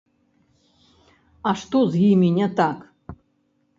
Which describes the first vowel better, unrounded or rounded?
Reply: unrounded